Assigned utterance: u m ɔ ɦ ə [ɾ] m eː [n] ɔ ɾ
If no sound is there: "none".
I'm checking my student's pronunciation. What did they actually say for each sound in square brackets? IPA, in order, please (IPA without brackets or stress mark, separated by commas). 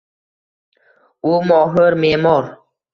ɾ, m